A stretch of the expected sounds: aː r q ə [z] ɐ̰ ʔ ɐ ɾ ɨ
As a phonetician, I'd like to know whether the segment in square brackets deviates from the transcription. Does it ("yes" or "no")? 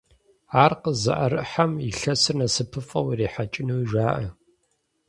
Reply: no